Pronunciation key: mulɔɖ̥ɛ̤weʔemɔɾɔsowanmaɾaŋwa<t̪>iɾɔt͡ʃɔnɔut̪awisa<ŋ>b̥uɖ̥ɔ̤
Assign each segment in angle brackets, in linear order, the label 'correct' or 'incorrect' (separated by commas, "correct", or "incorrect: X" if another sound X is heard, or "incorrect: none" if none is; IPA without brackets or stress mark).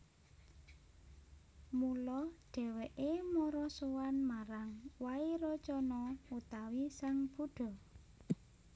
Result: incorrect: none, correct